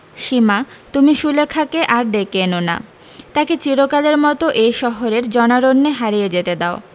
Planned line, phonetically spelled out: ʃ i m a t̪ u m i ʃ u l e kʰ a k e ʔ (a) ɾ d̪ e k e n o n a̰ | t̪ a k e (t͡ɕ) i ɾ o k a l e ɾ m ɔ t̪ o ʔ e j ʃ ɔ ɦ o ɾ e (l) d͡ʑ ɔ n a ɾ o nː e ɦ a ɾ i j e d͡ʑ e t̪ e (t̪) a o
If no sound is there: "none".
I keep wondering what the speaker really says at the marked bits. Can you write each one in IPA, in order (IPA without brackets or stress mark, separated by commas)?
a, t͡ɕ, ɾ, d̪